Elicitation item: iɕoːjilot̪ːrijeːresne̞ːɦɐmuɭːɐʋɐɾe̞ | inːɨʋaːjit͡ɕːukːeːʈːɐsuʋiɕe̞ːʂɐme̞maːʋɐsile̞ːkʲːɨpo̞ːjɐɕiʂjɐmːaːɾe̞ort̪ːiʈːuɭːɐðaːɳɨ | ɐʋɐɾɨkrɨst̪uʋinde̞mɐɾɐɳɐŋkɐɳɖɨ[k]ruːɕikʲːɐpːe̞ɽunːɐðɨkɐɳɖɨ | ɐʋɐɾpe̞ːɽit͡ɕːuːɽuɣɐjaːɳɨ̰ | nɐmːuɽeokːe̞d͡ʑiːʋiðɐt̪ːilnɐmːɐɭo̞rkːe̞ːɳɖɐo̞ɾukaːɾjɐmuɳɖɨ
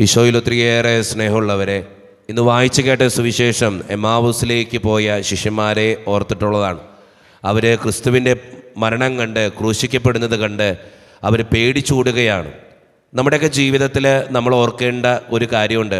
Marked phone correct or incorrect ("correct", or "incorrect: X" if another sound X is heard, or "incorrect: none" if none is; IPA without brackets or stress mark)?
correct